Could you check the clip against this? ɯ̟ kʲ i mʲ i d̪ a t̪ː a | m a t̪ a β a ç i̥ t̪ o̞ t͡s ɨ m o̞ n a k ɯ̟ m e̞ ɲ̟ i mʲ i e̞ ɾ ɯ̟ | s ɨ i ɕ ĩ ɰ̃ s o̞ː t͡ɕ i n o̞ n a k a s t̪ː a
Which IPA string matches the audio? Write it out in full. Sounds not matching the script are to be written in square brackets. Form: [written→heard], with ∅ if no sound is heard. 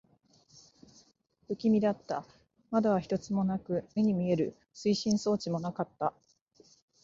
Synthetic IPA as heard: ɯ̟ kʲ i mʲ i d̪ a t̪ː a | m a [t̪→d̪] a β a ç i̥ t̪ o̞ t͡s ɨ m o̞ n a k ɯ̟ m e̞ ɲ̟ i mʲ i e̞ ɾ ɯ̟ | s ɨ i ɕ ĩ ɰ̃ s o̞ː t͡ɕ i [n→m] o̞ n a k a [s→∅] t̪ː a